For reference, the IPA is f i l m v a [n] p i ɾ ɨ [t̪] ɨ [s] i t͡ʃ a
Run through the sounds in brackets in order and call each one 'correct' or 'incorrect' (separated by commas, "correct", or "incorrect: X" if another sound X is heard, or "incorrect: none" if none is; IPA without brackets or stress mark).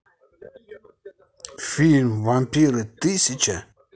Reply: incorrect: m, correct, correct